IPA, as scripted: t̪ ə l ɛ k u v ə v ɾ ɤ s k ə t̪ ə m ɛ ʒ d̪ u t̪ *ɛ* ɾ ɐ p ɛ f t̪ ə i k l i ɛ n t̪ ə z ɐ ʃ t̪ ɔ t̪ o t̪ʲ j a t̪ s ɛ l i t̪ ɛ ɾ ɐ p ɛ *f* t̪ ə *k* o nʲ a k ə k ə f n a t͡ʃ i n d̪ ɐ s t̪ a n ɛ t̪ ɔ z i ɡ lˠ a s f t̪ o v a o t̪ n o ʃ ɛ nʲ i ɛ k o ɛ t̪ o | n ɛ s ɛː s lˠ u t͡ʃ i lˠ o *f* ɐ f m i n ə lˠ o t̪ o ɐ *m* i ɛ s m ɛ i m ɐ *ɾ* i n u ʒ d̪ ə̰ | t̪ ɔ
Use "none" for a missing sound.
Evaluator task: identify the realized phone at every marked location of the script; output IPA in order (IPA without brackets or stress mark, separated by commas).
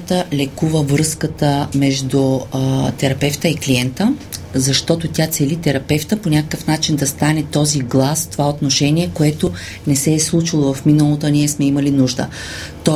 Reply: ɛ, f, p, v, n, l